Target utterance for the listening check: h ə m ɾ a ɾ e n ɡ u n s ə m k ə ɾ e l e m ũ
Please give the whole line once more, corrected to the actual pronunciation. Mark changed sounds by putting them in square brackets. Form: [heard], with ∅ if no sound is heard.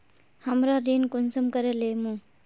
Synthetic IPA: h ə m ɾ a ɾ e n [k] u n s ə m k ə ɾ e l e m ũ